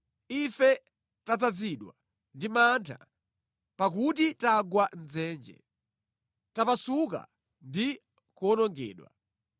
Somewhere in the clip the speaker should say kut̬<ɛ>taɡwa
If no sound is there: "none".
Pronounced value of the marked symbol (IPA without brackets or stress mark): i